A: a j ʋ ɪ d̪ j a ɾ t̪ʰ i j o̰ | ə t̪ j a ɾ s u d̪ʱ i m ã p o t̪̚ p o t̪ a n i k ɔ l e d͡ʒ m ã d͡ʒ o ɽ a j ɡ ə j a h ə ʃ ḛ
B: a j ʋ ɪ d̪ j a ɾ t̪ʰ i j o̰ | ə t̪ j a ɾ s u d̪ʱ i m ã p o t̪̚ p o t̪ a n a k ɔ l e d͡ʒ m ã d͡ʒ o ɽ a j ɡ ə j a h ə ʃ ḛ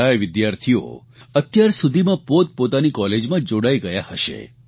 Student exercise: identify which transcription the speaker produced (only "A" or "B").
A